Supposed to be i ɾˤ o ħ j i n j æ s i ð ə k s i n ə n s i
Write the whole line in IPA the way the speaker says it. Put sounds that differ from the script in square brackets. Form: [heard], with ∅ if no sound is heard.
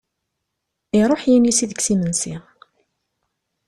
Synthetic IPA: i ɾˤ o ħ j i n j [i] s i ð ə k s i [m] ə n s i